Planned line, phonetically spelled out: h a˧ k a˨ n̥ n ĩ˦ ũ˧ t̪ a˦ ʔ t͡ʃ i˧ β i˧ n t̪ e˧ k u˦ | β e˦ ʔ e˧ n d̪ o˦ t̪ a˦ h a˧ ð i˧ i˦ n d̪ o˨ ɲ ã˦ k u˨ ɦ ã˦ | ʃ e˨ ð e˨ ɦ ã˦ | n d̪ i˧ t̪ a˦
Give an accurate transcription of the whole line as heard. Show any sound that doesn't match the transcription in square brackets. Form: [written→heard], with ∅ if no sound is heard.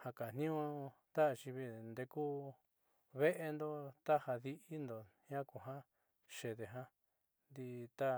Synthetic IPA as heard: h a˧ k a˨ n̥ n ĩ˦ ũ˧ t̪ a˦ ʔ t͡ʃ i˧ β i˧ n [t̪→d̪] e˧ k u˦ | β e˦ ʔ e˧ n d̪ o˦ t̪ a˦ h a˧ ð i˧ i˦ n d̪ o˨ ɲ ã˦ k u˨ ɦ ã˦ | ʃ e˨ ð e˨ ɦ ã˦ | n d̪ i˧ t̪ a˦